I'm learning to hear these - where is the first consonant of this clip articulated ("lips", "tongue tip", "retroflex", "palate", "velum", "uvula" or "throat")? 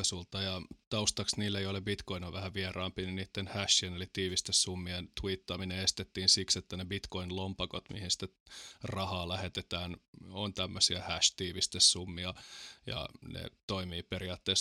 tongue tip